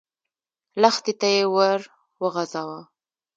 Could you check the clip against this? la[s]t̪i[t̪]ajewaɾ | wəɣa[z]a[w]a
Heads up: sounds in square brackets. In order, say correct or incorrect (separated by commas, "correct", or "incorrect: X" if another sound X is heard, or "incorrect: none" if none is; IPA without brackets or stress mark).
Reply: incorrect: x, correct, correct, correct